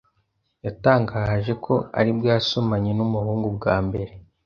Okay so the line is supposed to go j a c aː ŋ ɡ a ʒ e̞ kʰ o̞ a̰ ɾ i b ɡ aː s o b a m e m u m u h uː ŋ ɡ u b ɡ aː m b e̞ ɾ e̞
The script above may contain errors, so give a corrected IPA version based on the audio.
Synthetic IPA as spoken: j a t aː ŋ ɡ a ʒ e̞ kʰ o̞ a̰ ɾ i b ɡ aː s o m a ɲ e n u m u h uː ŋ ɡ u b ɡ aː m b e̞ ɾ e̞